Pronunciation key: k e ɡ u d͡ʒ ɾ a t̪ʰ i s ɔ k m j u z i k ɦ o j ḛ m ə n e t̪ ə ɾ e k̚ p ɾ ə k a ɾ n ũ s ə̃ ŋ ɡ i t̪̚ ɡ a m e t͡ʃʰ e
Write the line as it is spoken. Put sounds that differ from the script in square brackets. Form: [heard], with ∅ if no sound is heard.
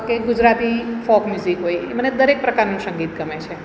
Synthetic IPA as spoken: k e ɡ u d͡ʒ ɾ a [t̪] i [f] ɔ k m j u z i k ɦ o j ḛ m ə n e [d̪] ə ɾ e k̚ p ɾ ə k a ɾ n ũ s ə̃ ŋ ɡ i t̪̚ ɡ [ə] m e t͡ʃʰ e